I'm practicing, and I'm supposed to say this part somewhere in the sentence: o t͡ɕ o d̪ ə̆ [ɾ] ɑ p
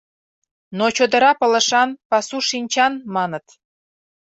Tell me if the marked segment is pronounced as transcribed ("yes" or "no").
yes